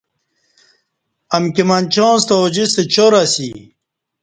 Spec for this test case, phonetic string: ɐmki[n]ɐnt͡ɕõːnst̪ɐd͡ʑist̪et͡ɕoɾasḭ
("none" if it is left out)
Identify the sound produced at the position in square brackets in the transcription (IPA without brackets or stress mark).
m